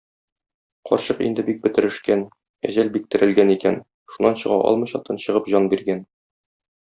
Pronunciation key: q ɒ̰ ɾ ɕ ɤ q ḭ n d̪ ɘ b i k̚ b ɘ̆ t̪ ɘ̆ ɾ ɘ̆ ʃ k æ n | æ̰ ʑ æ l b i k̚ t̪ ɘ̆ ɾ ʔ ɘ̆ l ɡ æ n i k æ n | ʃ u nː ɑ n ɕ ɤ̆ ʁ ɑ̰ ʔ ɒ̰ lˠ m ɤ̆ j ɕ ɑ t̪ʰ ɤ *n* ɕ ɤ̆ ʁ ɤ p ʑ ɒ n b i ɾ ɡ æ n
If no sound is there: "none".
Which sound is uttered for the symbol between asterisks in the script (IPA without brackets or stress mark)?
n